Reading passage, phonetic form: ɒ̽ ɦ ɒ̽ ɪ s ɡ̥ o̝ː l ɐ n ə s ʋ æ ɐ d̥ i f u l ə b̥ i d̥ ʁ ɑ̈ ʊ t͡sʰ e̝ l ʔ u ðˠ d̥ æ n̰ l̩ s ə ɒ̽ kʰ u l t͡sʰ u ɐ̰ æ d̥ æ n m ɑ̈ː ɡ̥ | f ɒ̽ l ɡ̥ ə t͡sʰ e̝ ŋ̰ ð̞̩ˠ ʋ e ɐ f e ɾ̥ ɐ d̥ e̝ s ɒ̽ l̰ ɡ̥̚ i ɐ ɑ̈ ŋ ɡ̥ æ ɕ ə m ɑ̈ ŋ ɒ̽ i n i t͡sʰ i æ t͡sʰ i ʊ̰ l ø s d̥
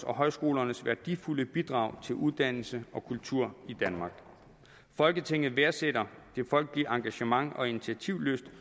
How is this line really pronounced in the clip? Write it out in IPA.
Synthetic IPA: ɒ̽ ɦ ɒ̽ ɪ s ɡ̥ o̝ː l ɐ n ə s ʋ æ ɐ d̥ i f u l ə b̥ i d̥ ʁ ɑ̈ ʊ t͡sʰ e̝ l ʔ u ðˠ d̥ æ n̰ l̩ s ə ɒ̽ kʰ u l t͡sʰ u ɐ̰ i d̥ æ n m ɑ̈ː ɡ̥ | f ɒ̽ l ɡ̥ ə t͡sʰ e̝ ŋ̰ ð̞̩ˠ ʋ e ɐ s e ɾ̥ ɐ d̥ e̝ f ɒ̽ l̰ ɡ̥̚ i ɐ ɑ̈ ŋ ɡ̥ æ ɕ ə m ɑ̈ ŋ ɒ̽ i n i t͡sʰ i æ t͡sʰ i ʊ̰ l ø s d̥